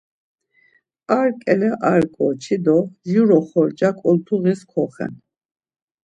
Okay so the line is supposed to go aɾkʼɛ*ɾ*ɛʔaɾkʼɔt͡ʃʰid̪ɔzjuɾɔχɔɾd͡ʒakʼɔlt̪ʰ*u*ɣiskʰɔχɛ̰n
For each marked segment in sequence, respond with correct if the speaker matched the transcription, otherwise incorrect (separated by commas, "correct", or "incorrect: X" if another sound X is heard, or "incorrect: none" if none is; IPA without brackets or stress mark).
incorrect: l, correct